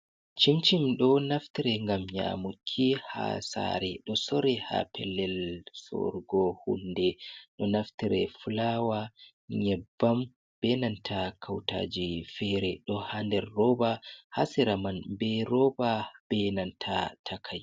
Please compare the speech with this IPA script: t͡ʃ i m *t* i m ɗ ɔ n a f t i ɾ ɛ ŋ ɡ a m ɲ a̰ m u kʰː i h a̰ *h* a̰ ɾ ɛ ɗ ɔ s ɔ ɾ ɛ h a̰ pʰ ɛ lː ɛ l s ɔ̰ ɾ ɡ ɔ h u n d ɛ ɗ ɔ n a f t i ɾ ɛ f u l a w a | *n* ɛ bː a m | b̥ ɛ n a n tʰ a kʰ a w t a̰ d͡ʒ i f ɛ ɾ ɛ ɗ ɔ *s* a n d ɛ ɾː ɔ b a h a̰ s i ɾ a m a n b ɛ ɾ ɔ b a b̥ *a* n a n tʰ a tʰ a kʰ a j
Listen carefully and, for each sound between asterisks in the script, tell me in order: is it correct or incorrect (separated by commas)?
incorrect, incorrect, incorrect, incorrect, incorrect